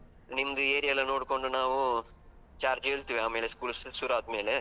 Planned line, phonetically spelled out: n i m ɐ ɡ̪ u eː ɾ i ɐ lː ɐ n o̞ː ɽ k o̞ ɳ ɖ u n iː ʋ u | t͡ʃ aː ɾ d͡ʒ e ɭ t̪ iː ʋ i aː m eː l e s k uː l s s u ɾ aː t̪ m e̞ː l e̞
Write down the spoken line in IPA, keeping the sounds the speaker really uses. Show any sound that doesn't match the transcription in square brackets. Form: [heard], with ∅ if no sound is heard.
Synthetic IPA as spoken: n i m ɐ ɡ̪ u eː ɾ i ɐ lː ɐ n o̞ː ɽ k o̞ ɳ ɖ u n [aː] ʋ u | t͡ʃ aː ɾ d͡ʒ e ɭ t̪ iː ʋ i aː m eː l e s k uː l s s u ɾ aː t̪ m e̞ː l e̞